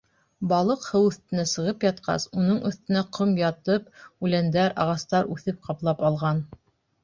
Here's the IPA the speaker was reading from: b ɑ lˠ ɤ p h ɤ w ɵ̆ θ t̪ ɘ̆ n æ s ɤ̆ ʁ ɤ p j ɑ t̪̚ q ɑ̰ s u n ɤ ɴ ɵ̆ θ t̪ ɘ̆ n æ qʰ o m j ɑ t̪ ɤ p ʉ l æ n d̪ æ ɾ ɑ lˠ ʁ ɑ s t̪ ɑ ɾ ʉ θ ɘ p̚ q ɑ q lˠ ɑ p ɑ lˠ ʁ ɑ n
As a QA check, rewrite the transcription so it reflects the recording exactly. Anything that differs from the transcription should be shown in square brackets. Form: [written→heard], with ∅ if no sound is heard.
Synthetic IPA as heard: b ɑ lˠ ɤ [p→q] h ɤ w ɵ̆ θ t̪ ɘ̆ n æ s ɤ̆ ʁ ɤ p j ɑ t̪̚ q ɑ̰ s u n ɤ ɴ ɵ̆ θ t̪ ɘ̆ n æ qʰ o m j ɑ t̪ ɤ p ʉ l æ n d̪ æ ɾ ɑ [lˠ→∅] ʁ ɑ s t̪ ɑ ɾ ʉ θ ɘ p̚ q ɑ [q→p] lˠ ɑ p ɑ lˠ ʁ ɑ n

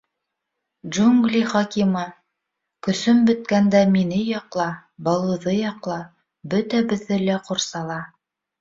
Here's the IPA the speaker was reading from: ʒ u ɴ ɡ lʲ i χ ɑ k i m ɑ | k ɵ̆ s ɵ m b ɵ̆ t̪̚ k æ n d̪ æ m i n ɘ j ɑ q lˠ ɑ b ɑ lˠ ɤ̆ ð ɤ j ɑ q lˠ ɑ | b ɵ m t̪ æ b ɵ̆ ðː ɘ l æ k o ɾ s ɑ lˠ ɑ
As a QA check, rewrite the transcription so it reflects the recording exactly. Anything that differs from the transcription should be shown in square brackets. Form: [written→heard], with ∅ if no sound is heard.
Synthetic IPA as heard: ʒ u [ɴ→ŋ] ɡ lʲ i χ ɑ k i m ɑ | k ɵ̆ s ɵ m b ɵ̆ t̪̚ k æ n d̪ æ m i n ɘ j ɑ q lˠ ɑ b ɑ lˠ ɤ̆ ð ɤ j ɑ q lˠ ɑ | b ɵ [m→∅] t̪ æ b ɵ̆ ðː ɘ l æ [k→q] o ɾ s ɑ lˠ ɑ

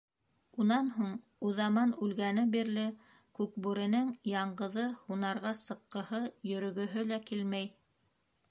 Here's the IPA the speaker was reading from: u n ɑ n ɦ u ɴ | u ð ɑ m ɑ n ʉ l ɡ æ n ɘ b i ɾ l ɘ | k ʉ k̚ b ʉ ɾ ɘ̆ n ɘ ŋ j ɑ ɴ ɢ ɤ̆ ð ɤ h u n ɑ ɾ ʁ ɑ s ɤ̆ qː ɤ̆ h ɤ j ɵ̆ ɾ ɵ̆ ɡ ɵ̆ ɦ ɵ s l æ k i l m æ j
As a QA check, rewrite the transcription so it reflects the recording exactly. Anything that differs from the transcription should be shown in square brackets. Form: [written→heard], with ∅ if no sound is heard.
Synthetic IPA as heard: u n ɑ n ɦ u ɴ | u ð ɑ m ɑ n ʉ l ɡ æ n ɘ b i ɾ l ɘ | k ʉ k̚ b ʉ ɾ ɘ̆ n ɘ ŋ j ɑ ɴ ɢ ɤ̆ ð ɤ h u n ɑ ɾ ʁ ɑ s ɤ̆ qː ɤ̆ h ɤ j ɵ̆ ɾ ɵ̆ ɡ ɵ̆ ɦ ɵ [s→∅] l æ k i l m æ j

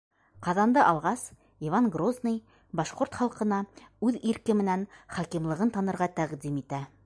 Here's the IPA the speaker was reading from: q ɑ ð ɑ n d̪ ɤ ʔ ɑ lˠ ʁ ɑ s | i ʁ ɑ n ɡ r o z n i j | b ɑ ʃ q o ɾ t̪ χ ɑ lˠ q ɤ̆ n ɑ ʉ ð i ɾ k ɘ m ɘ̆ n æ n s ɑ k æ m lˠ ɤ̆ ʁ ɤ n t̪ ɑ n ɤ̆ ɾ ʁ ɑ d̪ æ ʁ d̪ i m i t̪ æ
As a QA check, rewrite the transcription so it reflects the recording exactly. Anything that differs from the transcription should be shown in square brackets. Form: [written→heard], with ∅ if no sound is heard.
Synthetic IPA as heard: q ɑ ð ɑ n d̪ ɤ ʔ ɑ lˠ ʁ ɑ s | i [ʁ→v] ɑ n ɡ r o z n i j | b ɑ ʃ q o ɾ t̪ χ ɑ lˠ q ɤ̆ n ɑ ʉ ð i ɾ k ɘ m ɘ̆ n æ n [s→χ] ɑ k [æ→i] m lˠ ɤ̆ ʁ ɤ n t̪ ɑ n ɤ̆ ɾ ʁ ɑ [d̪→t̪] æ ʁ d̪ i m i t̪ æ

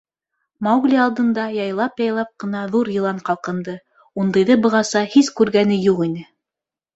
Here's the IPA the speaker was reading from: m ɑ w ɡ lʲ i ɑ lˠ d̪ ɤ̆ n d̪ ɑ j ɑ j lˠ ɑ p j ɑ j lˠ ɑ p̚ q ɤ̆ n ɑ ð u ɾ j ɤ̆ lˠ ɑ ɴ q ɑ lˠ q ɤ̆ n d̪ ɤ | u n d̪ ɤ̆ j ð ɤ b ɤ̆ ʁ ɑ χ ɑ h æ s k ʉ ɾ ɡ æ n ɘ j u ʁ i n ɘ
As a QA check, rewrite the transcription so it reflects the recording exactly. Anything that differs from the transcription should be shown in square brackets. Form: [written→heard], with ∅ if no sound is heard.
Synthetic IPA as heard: m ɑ w ɡ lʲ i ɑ lˠ d̪ ɤ̆ n d̪ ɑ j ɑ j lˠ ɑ p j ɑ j lˠ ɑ p̚ q ɤ̆ n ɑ ð u ɾ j ɤ̆ lˠ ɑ ɴ q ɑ lˠ q ɤ̆ n d̪ ɤ | u n d̪ ɤ̆ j ð ɤ b ɤ̆ ʁ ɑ [χ→s] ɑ h [æ→i] s k ʉ ɾ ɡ æ n ɘ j u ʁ i n ɘ

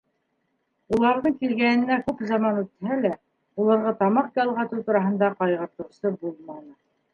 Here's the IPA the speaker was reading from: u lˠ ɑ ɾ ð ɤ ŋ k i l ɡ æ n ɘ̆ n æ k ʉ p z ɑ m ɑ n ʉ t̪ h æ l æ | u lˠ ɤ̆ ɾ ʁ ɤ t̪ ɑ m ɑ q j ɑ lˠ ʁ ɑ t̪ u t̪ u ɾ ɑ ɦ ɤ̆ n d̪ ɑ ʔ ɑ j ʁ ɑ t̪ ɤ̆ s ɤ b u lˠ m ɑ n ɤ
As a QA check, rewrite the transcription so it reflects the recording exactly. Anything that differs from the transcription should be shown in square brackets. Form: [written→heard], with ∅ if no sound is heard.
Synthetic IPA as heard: u lˠ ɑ ɾ ð ɤ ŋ k i l ɡ æ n ɘ̆ n æ k ʉ p z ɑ m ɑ n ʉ t̪ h æ l æ | u lˠ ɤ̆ ɾ ʁ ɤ t̪ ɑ m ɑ q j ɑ lˠ ʁ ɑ t̪ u t̪ u ɾ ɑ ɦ ɤ̆ n d̪ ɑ [ʔ→q] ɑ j ʁ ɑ t̪ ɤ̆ s ɤ b u lˠ m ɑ n ɤ

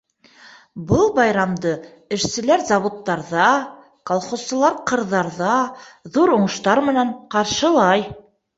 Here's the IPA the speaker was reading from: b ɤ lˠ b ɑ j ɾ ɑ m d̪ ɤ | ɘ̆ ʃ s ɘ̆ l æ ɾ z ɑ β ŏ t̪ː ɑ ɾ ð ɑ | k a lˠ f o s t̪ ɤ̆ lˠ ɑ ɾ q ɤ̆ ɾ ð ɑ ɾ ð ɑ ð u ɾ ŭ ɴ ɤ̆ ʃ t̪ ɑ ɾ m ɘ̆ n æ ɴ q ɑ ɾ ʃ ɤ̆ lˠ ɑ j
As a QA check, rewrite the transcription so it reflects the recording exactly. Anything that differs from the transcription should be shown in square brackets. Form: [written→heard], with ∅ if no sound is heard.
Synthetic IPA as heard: b ɤ lˠ b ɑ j ɾ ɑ m d̪ ɤ | ɘ̆ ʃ s ɘ̆ l æ ɾ z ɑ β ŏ t̪ː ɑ ɾ ð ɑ | k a lˠ [f→χ] o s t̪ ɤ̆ lˠ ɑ ɾ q ɤ̆ ɾ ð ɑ ɾ ð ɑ ð u ɾ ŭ ɴ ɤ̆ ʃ t̪ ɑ ɾ m ɘ̆ n æ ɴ q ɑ ɾ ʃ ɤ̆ lˠ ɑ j

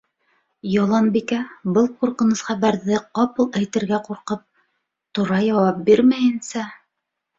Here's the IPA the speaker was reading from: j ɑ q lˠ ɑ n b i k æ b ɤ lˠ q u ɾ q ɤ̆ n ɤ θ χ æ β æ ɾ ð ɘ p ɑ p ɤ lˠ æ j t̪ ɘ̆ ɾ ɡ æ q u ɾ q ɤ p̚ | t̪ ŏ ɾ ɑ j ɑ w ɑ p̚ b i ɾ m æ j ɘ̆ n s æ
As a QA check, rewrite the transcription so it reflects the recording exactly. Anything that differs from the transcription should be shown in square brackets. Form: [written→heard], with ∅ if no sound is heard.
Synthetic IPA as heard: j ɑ [q→∅] lˠ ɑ n b i k æ b ɤ lˠ q u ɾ q ɤ̆ n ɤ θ χ æ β æ ɾ ð ɘ [p→q] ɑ p ɤ lˠ æ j t̪ ɘ̆ ɾ ɡ æ q u ɾ q ɤ p̚ | t̪ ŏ ɾ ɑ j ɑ w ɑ p̚ b i ɾ m æ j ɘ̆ n s æ

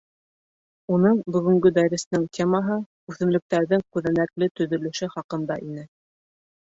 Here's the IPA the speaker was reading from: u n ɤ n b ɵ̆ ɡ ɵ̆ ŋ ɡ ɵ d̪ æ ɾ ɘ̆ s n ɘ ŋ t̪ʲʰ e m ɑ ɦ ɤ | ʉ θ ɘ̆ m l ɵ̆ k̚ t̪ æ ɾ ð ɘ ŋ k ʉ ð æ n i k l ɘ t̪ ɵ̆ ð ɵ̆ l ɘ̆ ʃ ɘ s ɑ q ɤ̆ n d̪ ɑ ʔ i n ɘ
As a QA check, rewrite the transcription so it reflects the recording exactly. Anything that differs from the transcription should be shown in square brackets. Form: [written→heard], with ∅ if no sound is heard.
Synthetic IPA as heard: u n ɤ [n→ɴ] b ɵ̆ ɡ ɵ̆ ŋ ɡ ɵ d̪ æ ɾ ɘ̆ s n ɘ ŋ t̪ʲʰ e m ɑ ɦ ɤ | ʉ θ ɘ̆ m l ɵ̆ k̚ t̪ æ ɾ ð ɘ ŋ k ʉ ð æ n [i→æ] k l ɘ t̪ ɵ̆ ð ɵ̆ l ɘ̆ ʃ ɘ [s→χ] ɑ q ɤ̆ n d̪ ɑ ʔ i n ɘ

